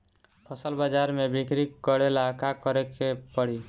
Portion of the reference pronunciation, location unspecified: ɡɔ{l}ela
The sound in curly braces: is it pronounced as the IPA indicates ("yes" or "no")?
no